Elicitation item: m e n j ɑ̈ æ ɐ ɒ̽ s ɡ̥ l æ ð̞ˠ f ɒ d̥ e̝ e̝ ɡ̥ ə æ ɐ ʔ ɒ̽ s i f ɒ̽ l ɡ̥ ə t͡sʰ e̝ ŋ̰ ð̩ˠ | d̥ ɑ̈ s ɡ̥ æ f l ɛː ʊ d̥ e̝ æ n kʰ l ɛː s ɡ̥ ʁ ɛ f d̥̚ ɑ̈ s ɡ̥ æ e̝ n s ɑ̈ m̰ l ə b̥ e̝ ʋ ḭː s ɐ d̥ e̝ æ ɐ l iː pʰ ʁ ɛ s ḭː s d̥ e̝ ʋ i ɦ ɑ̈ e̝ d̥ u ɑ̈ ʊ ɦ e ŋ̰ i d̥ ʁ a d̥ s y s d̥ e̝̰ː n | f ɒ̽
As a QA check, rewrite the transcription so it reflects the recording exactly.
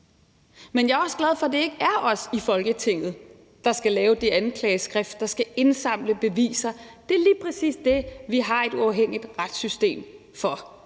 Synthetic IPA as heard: m e n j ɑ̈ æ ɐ ɒ̽ s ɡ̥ l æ ð̞ˠ f ɒ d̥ e̝ e̝ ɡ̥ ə æ ɐ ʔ ɒ̽ s i f ɒ̽ l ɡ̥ ə t͡sʰ e̝ ŋ̰ ð̩ˠ | d̥ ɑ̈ s ɡ̥ æ l ɛː ʊ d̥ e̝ æ n kʰ l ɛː s ɡ̥ ʁ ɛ f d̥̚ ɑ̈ s ɡ̥ æ e̝ n s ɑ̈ m̰ l ə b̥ e̝ ʋ ḭː s ɐ d̥ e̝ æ ɐ l iː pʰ ʁ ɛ s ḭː s d̥ e̝ ʋ i ɦ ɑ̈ e̝ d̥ u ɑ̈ ʊ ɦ e ŋ̰ i d̥ ʁ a d̥ s y s d̥ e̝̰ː m | f ɒ̽

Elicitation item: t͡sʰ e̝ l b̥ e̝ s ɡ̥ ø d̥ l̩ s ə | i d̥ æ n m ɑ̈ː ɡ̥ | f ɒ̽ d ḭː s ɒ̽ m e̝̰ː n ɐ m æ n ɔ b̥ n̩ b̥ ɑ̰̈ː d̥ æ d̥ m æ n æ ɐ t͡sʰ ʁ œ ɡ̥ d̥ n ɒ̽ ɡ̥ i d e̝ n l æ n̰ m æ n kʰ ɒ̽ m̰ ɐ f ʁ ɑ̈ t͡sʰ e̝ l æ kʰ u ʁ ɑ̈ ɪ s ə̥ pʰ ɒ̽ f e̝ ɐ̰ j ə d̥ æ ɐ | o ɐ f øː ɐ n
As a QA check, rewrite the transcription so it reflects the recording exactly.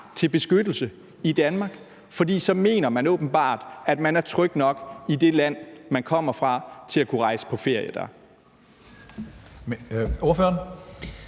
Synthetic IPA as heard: t͡sʰ e̝ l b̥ e̝ s ɡ̥ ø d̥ l̩ s ə | i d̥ æ n m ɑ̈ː ɡ̥ | f ɒ̽ d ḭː s ɒ̽ m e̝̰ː n ɐ m æ n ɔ b̥ n̩ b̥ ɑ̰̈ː d̥ æ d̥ m æ n æ ɐ t͡sʰ ʁ œ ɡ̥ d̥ n ɒ̽ ɡ̥ i d e̝ l æ n̰ m æ n kʰ ɒ̽ m̰ ɐ f ʁ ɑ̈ t͡sʰ e̝ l æ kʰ u ʁ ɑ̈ ɪ s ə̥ pʰ ɒ̽ f e̝ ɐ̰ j ə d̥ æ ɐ | o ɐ f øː ɐ n

